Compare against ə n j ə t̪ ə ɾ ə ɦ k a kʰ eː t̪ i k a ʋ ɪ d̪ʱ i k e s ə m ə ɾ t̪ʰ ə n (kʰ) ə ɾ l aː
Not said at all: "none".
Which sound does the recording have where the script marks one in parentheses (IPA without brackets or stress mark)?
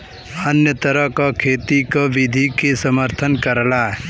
k